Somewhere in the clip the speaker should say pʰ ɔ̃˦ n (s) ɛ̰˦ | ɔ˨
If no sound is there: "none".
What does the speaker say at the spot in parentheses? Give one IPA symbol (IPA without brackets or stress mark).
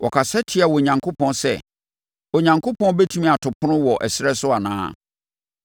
s